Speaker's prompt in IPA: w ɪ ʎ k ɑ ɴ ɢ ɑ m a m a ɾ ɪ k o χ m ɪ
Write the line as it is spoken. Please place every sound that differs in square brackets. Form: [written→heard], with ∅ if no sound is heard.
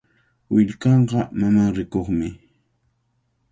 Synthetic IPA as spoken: w ɪ ʎ k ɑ ɴ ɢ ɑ m a m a ɾ ɪ k o χ m ɪ